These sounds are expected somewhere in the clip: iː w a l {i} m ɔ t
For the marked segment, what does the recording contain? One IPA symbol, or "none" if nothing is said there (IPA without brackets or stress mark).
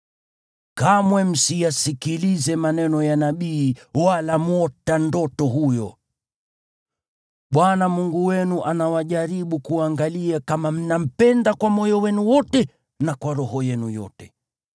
a